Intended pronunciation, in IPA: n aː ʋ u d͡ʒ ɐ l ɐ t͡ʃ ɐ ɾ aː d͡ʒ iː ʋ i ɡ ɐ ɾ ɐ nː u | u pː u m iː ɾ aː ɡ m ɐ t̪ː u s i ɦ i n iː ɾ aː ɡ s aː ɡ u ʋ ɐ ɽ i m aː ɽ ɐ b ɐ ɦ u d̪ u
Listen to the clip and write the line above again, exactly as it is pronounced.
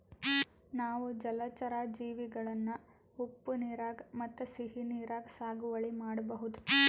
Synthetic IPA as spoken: n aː ʋ u d͡ʒ ɐ l ɐ t͡ʃ ɐ ɾ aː d͡ʒ iː ʋ i ɡ ɐ ɭ ɐ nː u | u pː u n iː ɾ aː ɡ m ɐ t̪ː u s i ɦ i n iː ɾ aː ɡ s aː ɡ u ʋ ɐ ɭ i m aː ɽ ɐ b ɐ ɦ u d̪ u